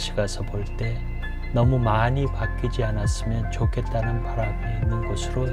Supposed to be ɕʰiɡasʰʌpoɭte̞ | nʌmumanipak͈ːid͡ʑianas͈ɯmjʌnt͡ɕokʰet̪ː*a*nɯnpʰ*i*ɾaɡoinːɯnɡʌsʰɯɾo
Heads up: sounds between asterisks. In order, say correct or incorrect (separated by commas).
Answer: correct, incorrect